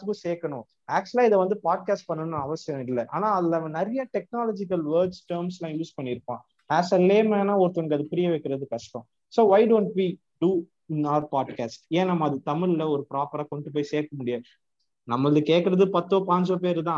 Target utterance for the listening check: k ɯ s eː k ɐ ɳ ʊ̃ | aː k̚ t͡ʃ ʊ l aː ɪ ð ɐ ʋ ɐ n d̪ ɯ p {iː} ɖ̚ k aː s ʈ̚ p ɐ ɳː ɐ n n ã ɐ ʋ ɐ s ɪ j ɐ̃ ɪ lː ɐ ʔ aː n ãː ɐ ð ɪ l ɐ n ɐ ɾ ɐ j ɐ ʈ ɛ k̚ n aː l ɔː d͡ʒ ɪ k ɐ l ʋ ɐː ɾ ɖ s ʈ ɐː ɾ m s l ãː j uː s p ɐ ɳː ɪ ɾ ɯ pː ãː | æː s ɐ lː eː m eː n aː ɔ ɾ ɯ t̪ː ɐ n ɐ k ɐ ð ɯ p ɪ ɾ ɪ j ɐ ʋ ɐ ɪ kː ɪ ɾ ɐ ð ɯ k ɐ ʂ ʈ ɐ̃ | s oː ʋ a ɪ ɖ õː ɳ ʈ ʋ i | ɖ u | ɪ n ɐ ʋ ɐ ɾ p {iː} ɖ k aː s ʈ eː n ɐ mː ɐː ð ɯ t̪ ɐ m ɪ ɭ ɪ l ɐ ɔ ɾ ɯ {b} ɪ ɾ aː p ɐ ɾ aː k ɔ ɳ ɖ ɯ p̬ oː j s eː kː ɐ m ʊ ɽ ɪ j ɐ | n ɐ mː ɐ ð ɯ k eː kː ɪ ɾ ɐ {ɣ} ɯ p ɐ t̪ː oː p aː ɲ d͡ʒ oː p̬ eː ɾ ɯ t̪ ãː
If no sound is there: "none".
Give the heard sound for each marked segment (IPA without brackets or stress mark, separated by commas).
aː, aː, p, ð